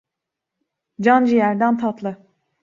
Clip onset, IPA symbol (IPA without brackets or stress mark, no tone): d͡ʒ